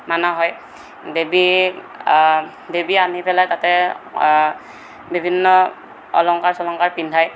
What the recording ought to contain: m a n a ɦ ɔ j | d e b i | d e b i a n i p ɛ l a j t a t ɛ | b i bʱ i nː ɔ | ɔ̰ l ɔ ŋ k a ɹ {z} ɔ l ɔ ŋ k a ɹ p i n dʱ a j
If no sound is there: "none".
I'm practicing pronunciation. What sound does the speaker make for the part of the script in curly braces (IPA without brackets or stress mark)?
s